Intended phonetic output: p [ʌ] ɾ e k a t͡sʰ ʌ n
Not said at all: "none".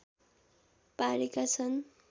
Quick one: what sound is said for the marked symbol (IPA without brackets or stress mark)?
a